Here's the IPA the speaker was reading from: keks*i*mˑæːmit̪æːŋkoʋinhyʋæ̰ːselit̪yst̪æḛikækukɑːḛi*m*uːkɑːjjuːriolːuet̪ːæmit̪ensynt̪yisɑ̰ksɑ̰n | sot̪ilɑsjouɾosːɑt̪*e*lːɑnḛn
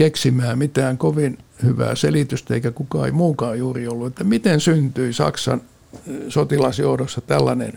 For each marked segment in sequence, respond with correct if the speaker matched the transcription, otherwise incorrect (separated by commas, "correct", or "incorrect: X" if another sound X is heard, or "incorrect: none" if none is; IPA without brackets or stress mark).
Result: correct, correct, incorrect: æ